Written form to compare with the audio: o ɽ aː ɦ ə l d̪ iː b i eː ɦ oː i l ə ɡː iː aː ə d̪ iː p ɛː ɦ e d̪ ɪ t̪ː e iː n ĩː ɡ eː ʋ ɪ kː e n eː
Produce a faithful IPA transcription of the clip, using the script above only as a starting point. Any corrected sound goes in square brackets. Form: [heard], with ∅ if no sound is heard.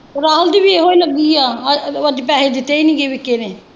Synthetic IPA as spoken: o [ɾ] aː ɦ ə l d̪ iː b i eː ɦ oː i l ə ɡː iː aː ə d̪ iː p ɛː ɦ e d̪ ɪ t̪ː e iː n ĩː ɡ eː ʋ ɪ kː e n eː